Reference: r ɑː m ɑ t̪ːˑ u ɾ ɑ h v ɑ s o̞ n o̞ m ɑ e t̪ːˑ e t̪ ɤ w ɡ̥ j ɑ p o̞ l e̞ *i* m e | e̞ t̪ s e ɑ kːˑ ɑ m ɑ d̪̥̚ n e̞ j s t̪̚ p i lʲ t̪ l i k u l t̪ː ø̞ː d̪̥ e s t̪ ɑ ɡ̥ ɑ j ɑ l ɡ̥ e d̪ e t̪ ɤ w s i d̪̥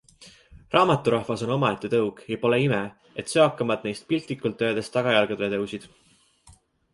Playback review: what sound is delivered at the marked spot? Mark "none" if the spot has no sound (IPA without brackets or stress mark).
i